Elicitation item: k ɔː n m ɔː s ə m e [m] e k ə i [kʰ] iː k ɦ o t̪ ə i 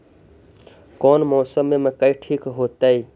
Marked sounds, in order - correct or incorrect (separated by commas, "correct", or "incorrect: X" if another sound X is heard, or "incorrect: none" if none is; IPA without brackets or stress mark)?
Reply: correct, incorrect: ʈʰ